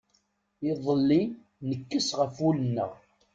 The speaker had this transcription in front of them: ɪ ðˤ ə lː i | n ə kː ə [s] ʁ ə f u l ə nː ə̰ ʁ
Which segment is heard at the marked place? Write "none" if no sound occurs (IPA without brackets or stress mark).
s